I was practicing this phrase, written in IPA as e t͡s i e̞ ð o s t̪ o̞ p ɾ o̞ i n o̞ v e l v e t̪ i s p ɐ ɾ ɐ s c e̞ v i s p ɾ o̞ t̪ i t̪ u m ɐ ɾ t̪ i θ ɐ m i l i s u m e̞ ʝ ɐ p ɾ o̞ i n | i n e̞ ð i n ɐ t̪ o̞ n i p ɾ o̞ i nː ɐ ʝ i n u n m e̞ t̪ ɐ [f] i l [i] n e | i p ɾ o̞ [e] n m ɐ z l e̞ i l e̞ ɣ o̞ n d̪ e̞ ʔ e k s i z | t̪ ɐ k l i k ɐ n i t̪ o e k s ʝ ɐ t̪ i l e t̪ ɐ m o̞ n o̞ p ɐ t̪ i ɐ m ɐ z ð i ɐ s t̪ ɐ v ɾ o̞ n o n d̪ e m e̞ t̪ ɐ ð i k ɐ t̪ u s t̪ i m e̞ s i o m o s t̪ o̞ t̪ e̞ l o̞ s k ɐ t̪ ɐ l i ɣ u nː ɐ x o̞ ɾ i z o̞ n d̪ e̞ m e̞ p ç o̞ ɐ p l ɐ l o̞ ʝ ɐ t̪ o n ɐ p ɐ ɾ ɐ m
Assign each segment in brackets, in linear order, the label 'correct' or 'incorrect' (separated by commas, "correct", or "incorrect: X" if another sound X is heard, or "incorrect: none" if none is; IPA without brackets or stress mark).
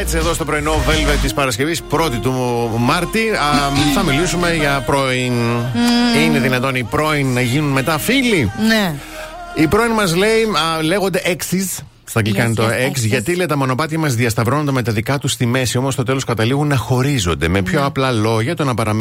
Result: correct, correct, incorrect: i